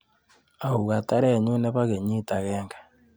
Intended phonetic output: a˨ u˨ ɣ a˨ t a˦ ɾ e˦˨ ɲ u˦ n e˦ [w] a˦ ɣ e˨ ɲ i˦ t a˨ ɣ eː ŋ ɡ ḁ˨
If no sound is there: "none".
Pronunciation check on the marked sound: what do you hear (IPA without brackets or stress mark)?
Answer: β